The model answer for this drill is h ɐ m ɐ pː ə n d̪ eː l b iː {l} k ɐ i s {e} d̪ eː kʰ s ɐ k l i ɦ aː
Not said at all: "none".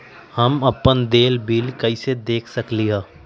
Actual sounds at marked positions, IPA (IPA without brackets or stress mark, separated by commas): l, e